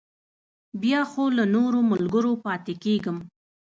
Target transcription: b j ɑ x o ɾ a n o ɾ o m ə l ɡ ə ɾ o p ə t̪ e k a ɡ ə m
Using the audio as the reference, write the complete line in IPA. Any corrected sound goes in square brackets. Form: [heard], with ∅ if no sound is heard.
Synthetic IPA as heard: b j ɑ x o [l] a n o ɾ o m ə l ɡ ə ɾ o p [ɑ] t̪ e k [e] ɡ ə m